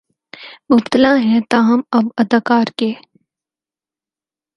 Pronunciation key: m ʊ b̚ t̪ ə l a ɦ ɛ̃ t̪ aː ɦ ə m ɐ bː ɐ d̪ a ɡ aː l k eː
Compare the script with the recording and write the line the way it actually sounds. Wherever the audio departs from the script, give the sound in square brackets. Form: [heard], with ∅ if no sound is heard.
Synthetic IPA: m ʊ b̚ t̪ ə l a ɦ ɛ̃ t̪ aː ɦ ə m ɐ [b] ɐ d̪ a [k] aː [ɾ] k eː